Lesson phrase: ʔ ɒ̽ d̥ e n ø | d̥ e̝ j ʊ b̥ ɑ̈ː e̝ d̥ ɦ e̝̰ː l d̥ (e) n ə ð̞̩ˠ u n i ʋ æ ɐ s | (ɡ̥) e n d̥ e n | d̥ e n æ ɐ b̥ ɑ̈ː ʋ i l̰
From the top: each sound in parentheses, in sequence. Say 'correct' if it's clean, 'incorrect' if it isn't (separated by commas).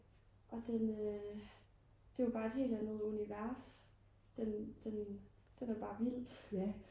incorrect, incorrect